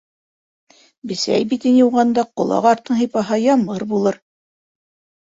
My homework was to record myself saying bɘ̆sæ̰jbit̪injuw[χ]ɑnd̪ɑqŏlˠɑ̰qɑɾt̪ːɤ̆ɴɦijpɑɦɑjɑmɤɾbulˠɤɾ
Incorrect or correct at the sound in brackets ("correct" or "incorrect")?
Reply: incorrect